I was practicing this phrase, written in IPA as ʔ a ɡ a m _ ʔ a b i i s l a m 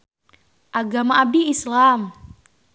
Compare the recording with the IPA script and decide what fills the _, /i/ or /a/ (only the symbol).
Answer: a